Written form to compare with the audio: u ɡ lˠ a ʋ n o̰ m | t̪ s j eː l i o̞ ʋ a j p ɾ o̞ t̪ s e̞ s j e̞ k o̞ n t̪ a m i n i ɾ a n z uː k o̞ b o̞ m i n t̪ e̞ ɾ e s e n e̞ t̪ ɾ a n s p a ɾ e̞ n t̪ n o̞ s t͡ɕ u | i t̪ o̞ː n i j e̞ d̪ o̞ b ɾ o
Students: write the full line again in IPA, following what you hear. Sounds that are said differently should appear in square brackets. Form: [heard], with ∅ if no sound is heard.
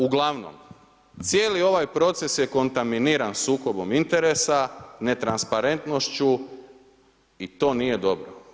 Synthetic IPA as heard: u ɡ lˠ a ʋ n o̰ m | t̪ s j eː l i o̞ ʋ a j p ɾ o̞ t̪ s e̞ s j e̞ k o̞ n t̪ a m i n i ɾ a n [s] uː k o̞ b o̞ m i n t̪ e̞ ɾ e s [a] n e̞ t̪ ɾ a n s p a ɾ e̞ n t̪ n o̞ [ʃ] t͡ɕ u | i t̪ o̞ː n i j e̞ d̪ o̞ b ɾ o